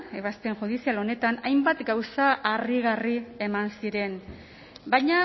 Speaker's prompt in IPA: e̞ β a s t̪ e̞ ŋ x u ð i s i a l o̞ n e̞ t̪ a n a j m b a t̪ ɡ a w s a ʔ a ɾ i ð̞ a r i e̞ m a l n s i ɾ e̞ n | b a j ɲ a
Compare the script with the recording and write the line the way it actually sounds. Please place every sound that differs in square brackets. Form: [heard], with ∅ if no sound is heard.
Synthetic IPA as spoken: e̞ β a s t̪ e̞ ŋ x u ð i s i a l o̞ n e̞ t̪ a n a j m b a t̪ ɡ a w s a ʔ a [r] i [ɣ̞] a r i e̞ m a [∅] n s i ɾ e̞ n | b a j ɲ a